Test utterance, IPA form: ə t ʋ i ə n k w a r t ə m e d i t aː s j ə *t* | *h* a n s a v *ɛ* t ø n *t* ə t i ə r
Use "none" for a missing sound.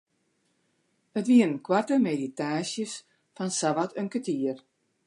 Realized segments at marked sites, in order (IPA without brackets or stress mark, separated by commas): s, f, a, k